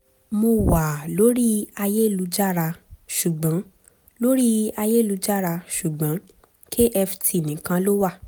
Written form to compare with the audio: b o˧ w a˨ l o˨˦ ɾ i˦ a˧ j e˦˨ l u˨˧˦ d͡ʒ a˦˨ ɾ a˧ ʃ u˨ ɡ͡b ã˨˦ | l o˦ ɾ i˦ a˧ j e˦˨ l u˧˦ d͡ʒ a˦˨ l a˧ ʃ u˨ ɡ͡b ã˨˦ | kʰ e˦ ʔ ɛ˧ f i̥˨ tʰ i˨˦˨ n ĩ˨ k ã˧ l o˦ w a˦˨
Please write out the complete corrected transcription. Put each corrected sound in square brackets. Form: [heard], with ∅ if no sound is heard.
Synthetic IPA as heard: [m] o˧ w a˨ l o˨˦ ɾ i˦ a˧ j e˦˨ l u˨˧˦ d͡ʒ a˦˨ ɾ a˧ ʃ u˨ ɡ͡b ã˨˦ | l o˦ ɾ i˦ a˧ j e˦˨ l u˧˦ d͡ʒ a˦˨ [ɾ] a˧ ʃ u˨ ɡ͡b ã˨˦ | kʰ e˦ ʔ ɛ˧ f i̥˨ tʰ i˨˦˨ n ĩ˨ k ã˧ l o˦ w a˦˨